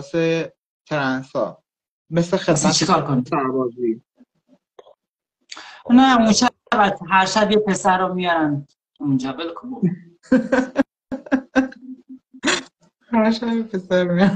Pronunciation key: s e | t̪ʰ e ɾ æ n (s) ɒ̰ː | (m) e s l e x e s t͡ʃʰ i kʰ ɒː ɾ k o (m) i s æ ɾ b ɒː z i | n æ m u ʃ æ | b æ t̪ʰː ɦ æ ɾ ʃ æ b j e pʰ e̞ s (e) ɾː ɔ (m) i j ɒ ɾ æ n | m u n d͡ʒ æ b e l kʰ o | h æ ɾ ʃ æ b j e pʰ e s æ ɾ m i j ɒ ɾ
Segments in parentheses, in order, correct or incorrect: correct, correct, incorrect, incorrect, correct

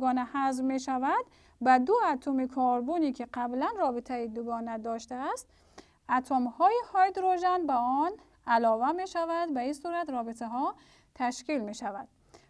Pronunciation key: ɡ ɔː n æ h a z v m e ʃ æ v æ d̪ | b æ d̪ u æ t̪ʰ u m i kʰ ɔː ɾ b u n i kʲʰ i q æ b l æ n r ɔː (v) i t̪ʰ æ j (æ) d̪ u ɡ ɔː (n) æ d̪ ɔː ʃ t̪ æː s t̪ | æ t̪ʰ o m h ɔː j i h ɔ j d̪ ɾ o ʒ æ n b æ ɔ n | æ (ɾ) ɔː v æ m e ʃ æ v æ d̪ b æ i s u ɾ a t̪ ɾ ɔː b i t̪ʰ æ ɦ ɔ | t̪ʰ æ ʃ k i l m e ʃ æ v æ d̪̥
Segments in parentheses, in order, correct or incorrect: incorrect, incorrect, correct, incorrect

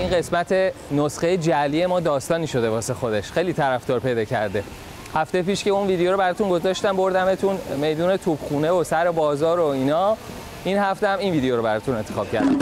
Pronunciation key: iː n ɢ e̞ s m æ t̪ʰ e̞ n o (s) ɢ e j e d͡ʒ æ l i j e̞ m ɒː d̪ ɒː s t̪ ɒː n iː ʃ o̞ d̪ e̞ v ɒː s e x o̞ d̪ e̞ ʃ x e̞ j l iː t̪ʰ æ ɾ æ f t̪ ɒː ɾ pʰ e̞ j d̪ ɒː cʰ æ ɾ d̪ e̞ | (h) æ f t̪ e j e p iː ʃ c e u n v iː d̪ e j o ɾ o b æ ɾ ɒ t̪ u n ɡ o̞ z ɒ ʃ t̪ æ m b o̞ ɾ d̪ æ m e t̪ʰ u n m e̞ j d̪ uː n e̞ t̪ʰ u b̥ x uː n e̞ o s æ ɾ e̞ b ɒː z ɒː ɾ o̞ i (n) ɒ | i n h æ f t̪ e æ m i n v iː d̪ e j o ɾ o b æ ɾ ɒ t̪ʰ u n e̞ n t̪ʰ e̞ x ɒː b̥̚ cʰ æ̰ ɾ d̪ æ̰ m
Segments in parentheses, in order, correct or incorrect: correct, correct, correct

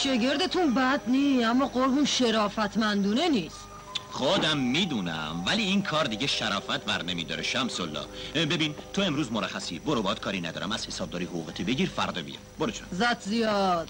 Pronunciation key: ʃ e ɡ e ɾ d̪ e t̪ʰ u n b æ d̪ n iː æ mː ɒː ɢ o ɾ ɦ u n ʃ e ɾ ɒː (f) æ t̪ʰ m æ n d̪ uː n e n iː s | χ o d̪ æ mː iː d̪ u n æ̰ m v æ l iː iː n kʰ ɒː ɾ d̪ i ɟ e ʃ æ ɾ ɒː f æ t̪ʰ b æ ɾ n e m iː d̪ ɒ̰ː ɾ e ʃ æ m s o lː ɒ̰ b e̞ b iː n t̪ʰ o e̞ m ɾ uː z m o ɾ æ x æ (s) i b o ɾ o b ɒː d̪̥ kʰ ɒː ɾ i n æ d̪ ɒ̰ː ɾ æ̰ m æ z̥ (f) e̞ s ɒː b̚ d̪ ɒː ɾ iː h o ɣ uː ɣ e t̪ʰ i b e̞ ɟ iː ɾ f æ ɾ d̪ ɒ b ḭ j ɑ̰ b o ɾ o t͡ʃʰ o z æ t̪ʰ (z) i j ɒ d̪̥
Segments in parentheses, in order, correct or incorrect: correct, correct, incorrect, correct

